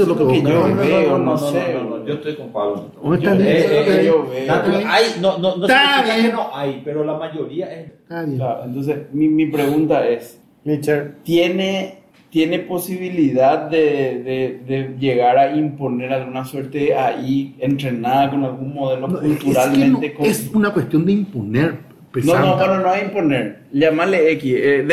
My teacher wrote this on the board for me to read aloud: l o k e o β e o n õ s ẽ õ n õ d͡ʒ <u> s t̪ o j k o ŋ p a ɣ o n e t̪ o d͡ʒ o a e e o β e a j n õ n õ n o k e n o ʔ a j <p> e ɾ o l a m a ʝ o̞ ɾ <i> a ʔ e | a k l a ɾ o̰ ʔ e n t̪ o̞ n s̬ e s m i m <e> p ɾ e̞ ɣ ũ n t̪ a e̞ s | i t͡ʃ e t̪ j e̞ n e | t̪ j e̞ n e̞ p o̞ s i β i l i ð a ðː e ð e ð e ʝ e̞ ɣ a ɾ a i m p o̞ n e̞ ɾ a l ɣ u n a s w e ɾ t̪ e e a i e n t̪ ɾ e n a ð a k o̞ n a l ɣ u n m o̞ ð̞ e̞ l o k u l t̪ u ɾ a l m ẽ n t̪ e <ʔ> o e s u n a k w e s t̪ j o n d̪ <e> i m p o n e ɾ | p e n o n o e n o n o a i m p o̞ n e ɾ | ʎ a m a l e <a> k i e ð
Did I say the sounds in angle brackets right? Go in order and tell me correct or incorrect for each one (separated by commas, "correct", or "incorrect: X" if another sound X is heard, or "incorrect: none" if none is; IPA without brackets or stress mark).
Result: incorrect: o, correct, correct, incorrect: i, incorrect: k, correct, incorrect: e